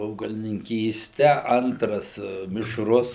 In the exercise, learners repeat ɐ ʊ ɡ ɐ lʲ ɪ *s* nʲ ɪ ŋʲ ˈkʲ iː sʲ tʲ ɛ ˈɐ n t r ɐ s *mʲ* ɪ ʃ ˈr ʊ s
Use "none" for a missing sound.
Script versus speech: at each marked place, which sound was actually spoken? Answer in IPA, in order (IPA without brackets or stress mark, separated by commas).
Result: none, mʲ